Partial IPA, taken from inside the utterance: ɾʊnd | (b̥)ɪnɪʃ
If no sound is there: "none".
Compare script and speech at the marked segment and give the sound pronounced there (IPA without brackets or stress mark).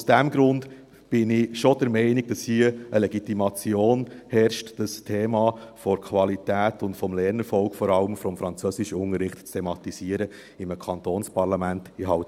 b̥